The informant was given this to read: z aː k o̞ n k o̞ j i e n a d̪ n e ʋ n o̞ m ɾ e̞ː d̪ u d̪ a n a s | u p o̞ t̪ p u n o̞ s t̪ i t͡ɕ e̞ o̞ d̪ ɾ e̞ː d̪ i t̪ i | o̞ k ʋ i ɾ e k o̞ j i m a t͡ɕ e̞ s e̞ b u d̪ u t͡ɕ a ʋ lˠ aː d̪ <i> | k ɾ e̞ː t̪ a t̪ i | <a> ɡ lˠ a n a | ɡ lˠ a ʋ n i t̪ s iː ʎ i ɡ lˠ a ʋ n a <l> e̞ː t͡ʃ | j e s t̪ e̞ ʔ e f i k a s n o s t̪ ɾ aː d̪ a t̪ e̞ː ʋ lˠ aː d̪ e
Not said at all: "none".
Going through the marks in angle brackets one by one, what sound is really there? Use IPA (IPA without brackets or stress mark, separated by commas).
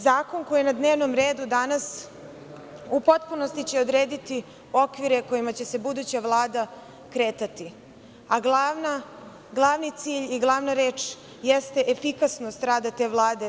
a, a, ɾ